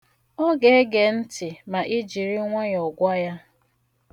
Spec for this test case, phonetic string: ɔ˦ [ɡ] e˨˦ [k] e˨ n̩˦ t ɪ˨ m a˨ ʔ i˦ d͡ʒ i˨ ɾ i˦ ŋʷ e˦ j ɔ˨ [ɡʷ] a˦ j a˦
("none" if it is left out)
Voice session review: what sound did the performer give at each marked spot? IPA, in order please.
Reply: ɡ, ɡ, ɡʷ

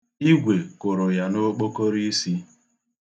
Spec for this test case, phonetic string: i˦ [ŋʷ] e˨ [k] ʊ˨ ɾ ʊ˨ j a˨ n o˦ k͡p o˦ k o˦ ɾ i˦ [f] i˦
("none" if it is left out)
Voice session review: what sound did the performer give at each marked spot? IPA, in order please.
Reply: ɡʷ, k, s

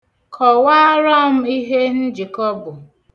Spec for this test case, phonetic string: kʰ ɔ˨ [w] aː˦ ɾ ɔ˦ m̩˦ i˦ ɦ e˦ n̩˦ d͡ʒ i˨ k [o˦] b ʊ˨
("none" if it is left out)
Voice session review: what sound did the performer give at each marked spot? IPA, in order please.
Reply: w, ɔ˦

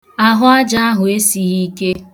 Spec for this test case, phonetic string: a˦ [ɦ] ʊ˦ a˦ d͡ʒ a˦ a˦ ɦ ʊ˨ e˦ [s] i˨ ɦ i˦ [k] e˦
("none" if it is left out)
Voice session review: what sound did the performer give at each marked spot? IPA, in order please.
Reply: ɦ, s, k

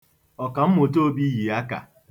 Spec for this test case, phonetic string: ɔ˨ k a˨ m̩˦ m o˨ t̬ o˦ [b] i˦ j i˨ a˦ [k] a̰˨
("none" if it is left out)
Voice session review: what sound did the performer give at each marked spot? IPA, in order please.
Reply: b, k

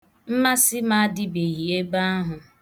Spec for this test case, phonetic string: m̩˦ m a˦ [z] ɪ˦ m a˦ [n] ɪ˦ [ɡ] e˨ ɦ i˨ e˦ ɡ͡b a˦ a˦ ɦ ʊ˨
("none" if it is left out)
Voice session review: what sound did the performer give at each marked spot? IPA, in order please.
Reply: s, d, b

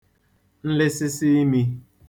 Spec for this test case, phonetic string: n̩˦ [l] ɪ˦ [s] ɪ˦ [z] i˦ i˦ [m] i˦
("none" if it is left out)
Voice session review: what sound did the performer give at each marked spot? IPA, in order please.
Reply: l, s, s, m

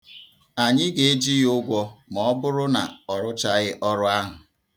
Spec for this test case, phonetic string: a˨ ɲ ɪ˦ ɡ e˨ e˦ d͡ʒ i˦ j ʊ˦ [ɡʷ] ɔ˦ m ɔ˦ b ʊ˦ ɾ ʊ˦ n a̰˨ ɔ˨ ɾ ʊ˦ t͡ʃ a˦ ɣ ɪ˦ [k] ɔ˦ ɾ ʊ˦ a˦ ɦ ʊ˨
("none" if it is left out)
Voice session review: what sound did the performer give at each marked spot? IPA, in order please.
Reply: ɡʷ, ʔ

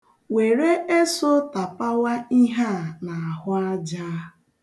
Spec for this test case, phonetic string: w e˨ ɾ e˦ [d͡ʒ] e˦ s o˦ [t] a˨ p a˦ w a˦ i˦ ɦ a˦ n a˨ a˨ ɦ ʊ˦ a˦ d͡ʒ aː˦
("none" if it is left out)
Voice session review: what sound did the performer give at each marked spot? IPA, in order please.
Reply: none, t

